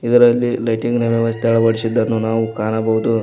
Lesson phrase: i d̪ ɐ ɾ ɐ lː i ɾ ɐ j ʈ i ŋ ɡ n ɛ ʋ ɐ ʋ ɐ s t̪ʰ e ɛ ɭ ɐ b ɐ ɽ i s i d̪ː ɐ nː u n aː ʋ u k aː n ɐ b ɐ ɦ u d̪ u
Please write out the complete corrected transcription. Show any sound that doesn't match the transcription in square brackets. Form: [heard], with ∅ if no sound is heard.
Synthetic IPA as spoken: i d̪ ɐ ɾ ɐ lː i [l] ɐ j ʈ i ŋ ɡ n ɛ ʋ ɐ ʋ ɐ s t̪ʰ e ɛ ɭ ɐ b ɐ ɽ i s i d̪ː ɐ nː u n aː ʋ u k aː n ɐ b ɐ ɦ u d̪ u